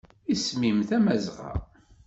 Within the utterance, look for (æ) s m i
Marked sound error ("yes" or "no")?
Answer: yes